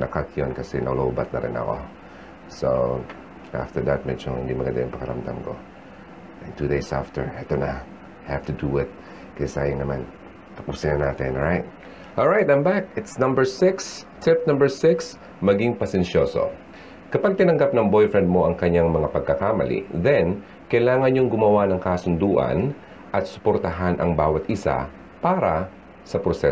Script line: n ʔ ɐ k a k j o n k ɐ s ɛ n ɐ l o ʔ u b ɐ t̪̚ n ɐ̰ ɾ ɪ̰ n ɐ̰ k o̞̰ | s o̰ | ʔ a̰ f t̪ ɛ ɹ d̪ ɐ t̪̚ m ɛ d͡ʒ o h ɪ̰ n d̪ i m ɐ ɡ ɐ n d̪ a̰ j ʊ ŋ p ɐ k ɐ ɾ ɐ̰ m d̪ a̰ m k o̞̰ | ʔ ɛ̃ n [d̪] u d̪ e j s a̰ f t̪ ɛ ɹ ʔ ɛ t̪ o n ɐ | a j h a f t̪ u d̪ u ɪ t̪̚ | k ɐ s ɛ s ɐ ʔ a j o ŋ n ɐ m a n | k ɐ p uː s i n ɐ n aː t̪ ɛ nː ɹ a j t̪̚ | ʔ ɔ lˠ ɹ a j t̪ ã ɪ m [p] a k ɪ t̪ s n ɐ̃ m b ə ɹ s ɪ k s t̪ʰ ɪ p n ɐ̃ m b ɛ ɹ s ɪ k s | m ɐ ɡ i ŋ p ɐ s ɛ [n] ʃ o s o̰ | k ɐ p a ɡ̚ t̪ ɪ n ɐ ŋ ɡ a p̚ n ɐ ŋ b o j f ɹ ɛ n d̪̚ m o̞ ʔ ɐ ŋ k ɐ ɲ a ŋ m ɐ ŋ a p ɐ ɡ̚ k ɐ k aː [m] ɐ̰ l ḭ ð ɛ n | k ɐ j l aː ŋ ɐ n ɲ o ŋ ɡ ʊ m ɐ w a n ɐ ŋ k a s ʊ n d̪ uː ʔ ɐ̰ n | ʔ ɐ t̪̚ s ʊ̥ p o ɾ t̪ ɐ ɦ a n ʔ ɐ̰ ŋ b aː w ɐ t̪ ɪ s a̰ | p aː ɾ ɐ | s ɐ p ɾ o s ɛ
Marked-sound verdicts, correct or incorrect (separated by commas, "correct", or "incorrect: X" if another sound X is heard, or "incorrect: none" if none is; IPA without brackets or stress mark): incorrect: t̪, incorrect: b, correct, correct